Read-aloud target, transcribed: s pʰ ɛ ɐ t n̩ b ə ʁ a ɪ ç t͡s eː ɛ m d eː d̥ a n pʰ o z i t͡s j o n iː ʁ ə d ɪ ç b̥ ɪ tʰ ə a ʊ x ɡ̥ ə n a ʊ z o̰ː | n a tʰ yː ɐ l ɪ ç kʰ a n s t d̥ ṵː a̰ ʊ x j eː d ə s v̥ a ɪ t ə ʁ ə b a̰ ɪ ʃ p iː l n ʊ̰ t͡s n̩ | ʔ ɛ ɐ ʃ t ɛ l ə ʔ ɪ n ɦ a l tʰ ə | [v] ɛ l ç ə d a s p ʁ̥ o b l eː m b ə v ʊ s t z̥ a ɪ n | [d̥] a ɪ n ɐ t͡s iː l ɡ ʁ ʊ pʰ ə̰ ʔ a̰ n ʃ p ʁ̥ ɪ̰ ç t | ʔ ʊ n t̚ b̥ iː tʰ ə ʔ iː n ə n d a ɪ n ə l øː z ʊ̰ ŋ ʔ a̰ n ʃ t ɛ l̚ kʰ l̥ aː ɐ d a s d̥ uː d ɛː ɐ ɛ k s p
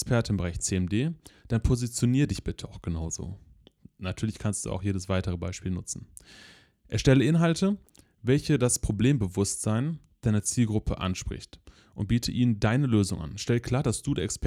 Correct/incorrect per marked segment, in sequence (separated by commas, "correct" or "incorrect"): correct, correct